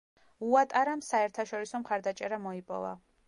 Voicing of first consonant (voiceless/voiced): voiceless